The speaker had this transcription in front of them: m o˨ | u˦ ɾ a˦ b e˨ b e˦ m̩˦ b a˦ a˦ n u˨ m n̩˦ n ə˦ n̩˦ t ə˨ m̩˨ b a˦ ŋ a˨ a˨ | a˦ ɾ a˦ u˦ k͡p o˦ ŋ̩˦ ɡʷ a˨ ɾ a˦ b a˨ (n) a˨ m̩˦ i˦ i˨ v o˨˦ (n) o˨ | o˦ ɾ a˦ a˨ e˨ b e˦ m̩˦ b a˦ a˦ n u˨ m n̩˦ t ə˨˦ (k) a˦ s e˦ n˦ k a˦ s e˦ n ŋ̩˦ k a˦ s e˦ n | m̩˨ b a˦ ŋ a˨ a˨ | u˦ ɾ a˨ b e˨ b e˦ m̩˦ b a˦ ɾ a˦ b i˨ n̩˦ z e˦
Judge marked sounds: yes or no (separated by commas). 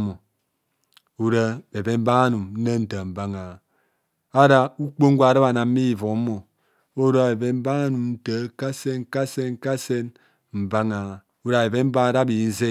yes, no, yes